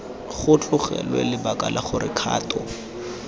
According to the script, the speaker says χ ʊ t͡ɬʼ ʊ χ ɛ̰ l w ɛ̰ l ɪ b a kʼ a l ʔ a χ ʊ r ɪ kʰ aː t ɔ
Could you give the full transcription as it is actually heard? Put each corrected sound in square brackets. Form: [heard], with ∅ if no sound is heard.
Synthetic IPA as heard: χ ʊ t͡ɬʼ ʊ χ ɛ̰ l w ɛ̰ l ɪ b a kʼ a l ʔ a χ ʊ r ɪ kʰ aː t ɔ